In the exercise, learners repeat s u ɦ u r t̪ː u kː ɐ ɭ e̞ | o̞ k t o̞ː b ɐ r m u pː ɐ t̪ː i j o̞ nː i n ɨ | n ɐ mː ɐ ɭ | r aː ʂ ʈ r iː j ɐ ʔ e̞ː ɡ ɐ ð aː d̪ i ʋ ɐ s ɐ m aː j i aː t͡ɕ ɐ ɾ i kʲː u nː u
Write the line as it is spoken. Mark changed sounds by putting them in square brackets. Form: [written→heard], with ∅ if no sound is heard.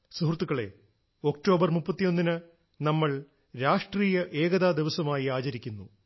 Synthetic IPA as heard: s u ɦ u r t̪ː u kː ɐ ɭ e̞ | o̞ k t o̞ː b ɐ r m u pː ɐ t̪ː i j o̞ nː i n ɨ | n ɐ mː ɐ ɭ | [r→ɾ] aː ʂ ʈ r iː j ɐ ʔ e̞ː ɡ ɐ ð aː d̪ i ʋ ɐ s ɐ m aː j i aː t͡ɕ ɐ ɾ i kʲː u nː u